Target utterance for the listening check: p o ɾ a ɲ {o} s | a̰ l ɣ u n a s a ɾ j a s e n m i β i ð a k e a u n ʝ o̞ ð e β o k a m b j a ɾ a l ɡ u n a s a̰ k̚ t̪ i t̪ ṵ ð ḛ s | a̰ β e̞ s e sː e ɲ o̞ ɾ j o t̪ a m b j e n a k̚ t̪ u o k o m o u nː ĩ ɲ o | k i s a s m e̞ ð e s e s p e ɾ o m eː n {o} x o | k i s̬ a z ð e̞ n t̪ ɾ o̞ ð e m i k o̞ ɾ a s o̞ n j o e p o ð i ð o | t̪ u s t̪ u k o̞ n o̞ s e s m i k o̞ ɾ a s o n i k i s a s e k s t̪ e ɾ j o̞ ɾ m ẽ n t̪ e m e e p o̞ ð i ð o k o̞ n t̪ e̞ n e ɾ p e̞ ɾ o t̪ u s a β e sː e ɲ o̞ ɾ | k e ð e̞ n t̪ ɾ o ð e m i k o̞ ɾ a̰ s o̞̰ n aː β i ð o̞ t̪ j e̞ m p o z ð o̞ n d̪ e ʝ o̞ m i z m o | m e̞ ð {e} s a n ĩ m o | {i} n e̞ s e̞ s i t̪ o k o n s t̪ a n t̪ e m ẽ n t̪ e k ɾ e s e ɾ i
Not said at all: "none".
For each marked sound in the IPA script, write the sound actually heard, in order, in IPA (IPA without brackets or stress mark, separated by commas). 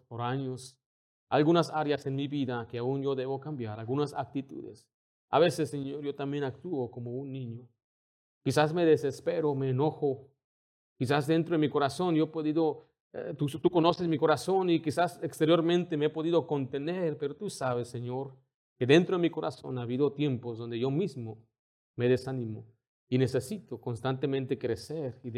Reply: o, o, e, i